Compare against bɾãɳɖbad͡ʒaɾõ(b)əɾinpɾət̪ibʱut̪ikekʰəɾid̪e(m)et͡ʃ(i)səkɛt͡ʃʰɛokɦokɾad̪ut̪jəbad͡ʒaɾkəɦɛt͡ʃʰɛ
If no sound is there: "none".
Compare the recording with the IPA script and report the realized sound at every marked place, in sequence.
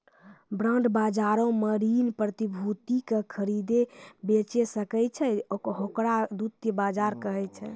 m, b, e

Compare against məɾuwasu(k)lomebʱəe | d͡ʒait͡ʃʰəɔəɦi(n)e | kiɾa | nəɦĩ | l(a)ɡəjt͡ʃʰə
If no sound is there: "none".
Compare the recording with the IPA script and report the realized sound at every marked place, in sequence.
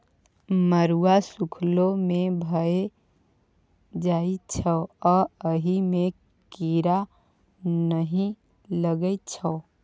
kʰ, m, ə

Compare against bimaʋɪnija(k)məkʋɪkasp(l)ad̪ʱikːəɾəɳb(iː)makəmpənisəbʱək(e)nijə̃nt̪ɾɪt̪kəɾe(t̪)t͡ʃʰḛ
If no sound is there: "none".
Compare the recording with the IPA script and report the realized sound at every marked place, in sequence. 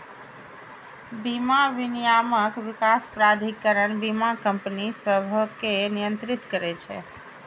none, ɾ, i, e, none

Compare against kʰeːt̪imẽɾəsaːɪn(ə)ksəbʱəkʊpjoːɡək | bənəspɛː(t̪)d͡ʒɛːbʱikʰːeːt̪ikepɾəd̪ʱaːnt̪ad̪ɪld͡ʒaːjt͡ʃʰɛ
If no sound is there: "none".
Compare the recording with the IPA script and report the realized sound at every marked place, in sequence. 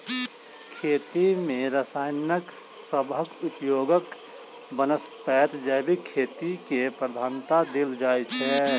ə, t̪

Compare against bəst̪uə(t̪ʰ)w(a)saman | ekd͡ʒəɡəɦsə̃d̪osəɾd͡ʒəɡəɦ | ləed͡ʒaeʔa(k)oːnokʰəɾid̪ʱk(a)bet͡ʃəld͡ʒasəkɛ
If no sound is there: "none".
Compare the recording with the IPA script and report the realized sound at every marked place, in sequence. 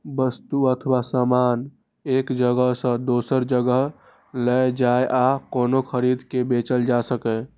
t̪ʰ, a, k, e

